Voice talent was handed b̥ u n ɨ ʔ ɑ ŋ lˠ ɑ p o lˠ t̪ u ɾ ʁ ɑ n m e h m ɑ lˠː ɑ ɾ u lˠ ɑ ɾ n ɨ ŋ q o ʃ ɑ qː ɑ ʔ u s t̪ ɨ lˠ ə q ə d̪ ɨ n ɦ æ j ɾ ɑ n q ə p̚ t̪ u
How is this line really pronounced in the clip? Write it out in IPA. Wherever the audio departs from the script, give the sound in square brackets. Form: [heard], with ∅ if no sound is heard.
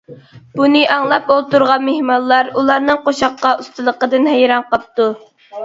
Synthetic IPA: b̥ u n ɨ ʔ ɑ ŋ lˠ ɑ p o lˠ t̪ u ɾ ʁ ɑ n m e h m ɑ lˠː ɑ ɾ u lˠ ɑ ɾ n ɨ ŋ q o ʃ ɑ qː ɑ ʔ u s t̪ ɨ lˠ ə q ə d̪ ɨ n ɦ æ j ɾ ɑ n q [ɑ] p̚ t̪ u